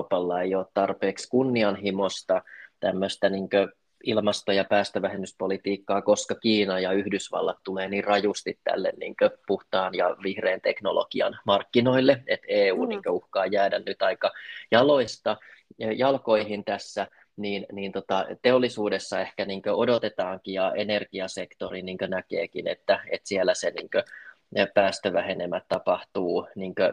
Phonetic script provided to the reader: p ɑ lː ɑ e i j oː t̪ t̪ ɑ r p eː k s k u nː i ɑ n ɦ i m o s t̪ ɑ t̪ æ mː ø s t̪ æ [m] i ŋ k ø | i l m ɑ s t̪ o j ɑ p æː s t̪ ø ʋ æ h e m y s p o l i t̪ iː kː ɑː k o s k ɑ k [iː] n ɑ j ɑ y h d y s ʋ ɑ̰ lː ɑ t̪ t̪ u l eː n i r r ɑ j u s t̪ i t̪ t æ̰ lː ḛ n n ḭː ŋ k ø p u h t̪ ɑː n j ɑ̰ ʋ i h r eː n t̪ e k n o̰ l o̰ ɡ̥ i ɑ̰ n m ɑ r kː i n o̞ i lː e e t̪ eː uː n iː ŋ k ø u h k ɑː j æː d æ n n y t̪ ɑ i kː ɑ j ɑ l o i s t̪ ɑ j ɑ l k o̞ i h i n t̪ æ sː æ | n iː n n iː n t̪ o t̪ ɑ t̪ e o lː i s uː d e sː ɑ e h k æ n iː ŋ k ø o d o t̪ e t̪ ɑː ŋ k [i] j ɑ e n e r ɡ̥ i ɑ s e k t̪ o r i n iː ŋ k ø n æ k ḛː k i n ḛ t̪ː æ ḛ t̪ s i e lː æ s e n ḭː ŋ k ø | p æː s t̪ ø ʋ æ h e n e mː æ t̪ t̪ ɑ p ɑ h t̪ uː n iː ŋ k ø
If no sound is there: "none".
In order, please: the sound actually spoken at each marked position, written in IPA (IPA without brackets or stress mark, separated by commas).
n, iː, i